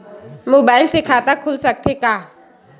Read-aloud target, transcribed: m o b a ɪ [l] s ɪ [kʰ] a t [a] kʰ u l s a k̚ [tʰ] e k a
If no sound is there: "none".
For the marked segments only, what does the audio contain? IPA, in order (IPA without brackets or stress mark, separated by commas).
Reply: l, kʰ, a, tʰ